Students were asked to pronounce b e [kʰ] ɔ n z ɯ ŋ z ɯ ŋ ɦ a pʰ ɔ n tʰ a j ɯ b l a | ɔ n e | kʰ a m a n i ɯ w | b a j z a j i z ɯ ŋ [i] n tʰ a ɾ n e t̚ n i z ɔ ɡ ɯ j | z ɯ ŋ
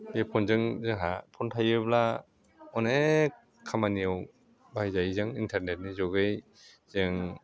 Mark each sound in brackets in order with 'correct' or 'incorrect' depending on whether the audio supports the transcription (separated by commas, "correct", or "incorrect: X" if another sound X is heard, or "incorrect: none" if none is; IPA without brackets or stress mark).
incorrect: pʰ, correct